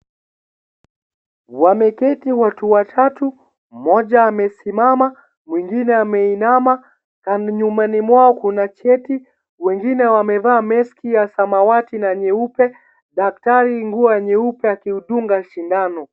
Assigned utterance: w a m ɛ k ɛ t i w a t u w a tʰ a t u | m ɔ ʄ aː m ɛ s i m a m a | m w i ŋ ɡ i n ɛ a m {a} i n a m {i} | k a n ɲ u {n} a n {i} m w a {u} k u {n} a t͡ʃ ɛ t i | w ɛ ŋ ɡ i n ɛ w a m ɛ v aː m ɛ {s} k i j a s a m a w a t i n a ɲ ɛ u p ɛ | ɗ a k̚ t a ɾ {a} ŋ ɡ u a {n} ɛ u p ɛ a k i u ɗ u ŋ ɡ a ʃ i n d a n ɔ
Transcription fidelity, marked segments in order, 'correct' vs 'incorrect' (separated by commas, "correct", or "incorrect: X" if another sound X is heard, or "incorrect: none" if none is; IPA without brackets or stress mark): incorrect: ɛ, incorrect: a, incorrect: m, correct, incorrect: ɔ, correct, correct, incorrect: i, incorrect: ɲ